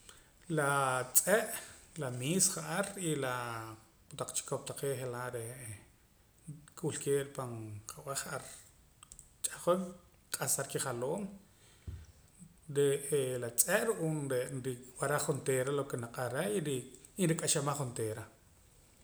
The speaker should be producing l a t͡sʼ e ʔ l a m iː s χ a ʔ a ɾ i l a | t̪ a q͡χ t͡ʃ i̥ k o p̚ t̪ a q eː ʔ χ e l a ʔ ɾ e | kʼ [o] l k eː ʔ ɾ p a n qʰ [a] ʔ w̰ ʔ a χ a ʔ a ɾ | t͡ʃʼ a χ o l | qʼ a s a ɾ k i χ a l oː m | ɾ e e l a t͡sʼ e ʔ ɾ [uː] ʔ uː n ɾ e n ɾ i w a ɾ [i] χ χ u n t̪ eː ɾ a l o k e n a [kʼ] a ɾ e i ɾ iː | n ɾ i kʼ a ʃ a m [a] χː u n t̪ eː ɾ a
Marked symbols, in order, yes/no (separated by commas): no, yes, no, no, no, yes